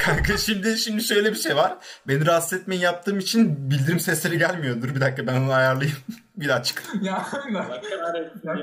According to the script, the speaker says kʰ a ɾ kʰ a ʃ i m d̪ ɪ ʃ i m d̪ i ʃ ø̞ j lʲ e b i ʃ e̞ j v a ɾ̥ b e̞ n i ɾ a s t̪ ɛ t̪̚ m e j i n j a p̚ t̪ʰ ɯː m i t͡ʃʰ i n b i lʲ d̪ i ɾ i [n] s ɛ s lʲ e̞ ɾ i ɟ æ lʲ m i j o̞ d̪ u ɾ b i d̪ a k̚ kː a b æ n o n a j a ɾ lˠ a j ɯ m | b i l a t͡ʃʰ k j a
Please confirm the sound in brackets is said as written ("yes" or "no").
no